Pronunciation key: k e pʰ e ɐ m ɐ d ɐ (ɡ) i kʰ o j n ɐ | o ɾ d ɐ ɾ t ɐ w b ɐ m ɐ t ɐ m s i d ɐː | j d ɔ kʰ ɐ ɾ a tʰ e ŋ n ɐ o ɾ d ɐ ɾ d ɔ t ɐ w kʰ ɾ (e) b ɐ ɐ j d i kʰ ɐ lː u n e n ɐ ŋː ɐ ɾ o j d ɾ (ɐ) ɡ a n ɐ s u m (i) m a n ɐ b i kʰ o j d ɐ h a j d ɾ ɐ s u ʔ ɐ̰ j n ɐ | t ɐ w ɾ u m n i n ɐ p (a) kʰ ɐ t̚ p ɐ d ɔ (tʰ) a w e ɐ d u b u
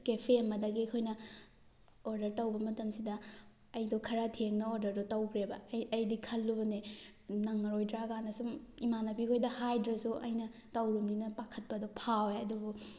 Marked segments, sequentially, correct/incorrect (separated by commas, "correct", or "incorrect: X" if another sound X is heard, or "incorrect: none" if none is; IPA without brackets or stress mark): correct, correct, incorrect: a, correct, correct, incorrect: pʰ